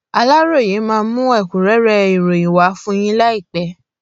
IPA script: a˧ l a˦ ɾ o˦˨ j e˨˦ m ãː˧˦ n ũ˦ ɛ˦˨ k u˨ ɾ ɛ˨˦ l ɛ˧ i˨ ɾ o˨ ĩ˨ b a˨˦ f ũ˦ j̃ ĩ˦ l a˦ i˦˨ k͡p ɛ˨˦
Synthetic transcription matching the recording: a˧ l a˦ ɾ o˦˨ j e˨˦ m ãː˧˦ m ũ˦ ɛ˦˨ k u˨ ɾ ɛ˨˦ ɾ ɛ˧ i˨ ɾ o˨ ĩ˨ w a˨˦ f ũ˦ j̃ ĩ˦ l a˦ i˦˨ k͡p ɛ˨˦